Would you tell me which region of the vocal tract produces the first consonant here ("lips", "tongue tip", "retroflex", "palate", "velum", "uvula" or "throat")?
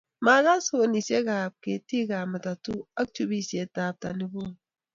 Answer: lips